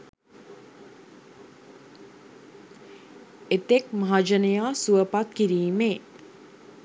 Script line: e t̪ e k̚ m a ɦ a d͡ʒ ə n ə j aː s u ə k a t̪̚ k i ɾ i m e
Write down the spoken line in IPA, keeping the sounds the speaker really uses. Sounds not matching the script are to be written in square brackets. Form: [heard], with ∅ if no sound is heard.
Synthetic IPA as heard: e t̪ e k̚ m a ɦ a d͡ʒ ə n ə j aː s u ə [p] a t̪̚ k i ɾ [iː] m e